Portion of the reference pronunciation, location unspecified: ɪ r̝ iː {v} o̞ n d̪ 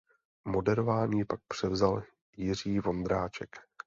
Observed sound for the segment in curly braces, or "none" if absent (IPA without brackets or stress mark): v